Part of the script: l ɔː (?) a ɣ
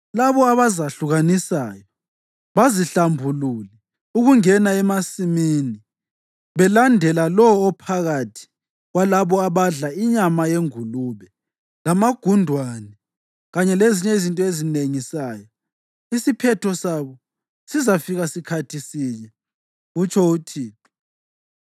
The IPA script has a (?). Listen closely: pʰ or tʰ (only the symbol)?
pʰ